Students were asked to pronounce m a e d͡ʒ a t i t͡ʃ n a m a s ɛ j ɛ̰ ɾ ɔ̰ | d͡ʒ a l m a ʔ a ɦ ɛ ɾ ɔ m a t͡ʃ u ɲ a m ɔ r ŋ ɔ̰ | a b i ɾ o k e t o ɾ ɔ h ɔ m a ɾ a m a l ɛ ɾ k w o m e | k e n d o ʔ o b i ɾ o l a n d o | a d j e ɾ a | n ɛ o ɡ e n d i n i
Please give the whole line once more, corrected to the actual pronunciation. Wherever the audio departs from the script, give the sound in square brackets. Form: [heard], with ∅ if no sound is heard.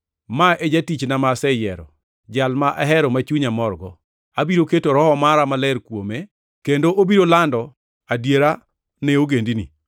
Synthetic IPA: m a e d͡ʒ a t i t͡ʃ n a m a s ɛ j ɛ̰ ɾ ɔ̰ | d͡ʒ a l m a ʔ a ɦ ɛ ɾ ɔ m a t͡ʃ u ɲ a m ɔ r [ɡ] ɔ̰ | a b i ɾ o k e t o ɾ ɔ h ɔ m a ɾ a m a l ɛ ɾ k w o m e | k e n d o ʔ o b i ɾ o l a n d [ɔ] | a d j e ɾ a | n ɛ o ɡ e n d i n i